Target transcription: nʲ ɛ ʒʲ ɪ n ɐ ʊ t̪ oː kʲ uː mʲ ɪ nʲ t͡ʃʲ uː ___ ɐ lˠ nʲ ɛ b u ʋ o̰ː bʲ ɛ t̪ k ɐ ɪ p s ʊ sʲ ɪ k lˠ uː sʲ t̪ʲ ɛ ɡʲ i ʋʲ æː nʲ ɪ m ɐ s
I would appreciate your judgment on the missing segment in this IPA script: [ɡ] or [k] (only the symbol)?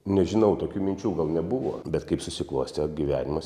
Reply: ɡ